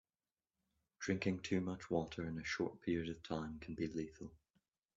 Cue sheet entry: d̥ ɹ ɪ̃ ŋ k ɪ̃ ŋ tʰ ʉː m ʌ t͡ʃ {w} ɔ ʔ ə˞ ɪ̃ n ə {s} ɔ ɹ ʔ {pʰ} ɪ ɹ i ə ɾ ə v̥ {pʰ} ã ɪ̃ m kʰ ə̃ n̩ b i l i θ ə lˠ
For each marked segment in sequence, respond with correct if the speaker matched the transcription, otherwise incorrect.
correct, incorrect, correct, incorrect

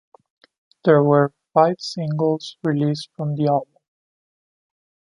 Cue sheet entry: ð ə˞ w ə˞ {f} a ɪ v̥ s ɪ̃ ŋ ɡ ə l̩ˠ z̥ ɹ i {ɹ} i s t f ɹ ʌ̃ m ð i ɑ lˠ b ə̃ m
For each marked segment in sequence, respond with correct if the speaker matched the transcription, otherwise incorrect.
correct, incorrect

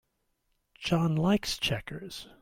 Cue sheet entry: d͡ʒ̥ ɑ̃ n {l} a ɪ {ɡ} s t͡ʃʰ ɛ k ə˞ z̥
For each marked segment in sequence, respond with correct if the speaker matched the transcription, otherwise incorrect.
correct, incorrect

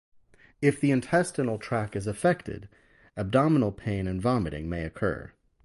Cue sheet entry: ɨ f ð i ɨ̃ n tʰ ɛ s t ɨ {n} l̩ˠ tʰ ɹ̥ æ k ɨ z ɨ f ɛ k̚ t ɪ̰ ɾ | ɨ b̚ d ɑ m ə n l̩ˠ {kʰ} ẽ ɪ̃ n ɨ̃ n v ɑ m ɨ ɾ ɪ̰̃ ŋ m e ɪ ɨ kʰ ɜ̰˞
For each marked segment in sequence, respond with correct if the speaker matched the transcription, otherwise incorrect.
correct, incorrect

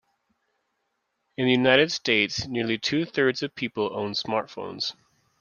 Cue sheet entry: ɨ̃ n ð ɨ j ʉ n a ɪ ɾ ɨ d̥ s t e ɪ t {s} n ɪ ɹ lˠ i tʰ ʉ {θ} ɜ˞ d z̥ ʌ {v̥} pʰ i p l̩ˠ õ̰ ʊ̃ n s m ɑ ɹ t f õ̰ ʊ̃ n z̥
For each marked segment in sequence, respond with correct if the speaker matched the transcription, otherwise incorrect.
correct, correct, correct

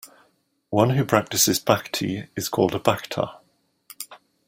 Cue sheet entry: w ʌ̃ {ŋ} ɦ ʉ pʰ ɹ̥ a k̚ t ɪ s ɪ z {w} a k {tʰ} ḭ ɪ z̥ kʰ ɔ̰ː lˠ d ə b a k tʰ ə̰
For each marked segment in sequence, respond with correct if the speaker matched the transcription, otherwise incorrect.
incorrect, incorrect, correct

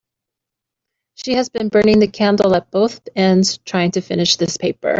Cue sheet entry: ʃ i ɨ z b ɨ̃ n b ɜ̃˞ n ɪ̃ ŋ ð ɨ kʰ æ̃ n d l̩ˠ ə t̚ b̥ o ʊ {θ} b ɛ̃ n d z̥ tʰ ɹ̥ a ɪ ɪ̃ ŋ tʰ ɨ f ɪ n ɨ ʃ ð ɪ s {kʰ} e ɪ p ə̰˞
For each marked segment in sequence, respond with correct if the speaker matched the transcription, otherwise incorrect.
correct, incorrect

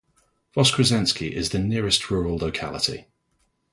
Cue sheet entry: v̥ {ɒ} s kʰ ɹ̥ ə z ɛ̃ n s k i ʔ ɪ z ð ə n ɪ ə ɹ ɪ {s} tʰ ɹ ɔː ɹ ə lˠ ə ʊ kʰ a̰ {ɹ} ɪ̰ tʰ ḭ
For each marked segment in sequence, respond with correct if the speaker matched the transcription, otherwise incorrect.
correct, correct, incorrect

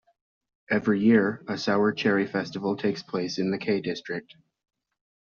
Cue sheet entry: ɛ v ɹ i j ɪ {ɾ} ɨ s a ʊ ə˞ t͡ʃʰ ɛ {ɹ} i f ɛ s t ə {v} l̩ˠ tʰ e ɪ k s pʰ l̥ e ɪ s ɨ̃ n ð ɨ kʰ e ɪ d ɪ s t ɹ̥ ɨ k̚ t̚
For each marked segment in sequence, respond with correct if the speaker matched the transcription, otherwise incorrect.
incorrect, correct, correct

